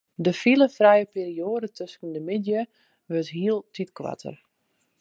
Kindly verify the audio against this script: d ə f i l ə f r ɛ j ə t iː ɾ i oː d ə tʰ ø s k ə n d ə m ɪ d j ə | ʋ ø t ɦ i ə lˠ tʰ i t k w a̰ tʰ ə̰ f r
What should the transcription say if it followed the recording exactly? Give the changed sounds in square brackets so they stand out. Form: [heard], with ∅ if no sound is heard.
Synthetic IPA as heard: d ə f i l ə f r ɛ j ə [p] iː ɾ i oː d ə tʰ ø s k ə n d ə m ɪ d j ə | ʋ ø t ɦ i ə lˠ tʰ i t k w a̰ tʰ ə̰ [∅] r